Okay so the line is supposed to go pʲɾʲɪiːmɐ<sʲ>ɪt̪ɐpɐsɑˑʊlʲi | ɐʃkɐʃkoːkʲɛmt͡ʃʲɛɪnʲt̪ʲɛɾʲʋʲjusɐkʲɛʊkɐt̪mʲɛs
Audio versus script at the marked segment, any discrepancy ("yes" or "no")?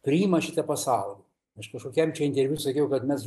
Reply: yes